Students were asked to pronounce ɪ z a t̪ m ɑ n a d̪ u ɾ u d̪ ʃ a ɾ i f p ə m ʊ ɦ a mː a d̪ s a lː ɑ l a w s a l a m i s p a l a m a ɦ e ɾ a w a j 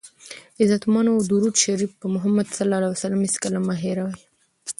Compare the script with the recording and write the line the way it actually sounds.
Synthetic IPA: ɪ z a t̪ m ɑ n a d̪ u ɾ u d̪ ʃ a ɾ i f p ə m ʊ ɦ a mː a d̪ s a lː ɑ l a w s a l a m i s k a l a m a ɦ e ɾ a w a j